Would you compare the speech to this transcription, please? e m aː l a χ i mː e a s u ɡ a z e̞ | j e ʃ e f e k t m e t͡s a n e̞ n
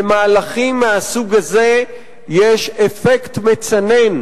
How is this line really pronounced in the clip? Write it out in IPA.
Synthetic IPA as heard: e m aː l a χ i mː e a s u ɡ a z e̞ | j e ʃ e f e k t m e t͡s a n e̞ n